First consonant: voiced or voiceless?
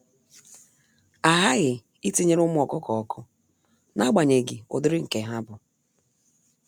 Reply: voiced